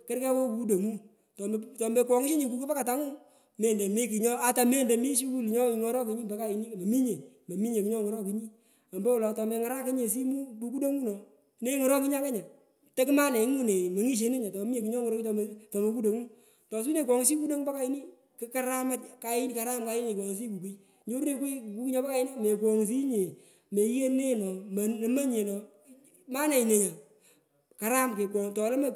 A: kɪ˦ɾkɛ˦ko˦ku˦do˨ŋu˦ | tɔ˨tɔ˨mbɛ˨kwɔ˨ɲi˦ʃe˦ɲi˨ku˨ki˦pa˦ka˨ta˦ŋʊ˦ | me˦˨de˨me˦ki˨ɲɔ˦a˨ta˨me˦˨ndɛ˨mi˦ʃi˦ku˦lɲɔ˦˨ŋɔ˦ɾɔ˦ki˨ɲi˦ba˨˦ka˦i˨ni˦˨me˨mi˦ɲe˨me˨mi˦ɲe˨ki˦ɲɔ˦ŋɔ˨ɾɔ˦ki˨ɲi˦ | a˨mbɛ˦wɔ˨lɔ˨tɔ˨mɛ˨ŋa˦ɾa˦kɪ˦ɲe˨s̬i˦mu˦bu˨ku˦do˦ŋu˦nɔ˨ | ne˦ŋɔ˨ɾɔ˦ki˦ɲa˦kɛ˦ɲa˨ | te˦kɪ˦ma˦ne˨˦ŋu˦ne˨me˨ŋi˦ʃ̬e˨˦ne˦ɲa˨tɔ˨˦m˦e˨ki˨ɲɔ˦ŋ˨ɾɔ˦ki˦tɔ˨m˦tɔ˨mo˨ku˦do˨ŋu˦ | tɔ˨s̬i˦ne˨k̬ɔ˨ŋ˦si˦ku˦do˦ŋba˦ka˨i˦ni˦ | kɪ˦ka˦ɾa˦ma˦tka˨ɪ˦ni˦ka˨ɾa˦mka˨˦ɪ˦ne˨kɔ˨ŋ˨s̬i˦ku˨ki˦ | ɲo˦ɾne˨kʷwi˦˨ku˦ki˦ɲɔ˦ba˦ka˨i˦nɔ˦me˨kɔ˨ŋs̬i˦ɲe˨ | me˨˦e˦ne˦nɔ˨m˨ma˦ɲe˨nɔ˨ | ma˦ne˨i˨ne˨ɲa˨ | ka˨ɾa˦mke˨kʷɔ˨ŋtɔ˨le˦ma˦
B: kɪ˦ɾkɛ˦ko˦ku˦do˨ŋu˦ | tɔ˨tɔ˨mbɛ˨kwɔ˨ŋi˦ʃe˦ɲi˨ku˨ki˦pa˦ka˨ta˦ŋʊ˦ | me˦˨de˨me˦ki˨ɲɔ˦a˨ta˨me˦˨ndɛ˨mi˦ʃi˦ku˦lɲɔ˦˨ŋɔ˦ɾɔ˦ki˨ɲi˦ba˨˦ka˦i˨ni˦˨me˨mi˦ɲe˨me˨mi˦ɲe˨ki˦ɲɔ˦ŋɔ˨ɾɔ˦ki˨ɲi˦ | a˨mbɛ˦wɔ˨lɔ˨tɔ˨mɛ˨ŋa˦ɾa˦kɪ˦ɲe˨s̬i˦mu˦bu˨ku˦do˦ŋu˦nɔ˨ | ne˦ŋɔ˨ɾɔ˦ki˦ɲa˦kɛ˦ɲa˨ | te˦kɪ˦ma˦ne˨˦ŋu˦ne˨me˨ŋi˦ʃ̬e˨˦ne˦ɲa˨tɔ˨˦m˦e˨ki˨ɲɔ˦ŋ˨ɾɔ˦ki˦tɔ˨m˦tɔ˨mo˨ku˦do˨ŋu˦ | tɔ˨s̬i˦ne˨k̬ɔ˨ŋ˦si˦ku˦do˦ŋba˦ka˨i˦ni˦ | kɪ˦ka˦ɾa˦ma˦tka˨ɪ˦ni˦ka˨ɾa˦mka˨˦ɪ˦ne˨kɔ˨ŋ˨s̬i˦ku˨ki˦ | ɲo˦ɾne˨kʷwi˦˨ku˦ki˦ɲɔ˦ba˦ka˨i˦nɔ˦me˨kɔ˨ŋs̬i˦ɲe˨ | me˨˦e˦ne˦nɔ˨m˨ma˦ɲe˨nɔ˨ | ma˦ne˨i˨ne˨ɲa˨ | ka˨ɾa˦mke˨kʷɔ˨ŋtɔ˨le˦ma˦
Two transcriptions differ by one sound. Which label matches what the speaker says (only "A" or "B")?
B